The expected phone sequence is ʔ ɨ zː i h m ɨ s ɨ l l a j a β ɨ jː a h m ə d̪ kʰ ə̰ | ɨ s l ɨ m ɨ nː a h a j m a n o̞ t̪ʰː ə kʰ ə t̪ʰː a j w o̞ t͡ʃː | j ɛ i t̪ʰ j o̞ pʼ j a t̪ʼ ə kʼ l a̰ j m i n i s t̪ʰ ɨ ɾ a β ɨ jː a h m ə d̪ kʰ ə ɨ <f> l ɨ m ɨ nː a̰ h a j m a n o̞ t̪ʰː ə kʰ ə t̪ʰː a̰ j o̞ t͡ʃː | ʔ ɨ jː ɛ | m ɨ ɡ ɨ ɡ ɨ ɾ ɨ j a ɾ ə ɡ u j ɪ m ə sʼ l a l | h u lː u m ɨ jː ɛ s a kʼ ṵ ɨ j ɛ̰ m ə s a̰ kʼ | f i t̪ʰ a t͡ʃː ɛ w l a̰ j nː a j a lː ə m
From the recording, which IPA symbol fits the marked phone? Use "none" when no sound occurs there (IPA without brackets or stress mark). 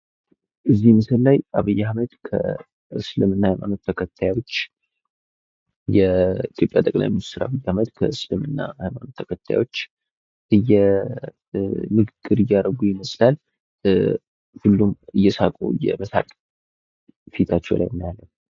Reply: s